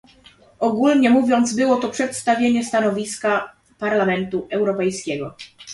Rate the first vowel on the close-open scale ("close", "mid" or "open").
mid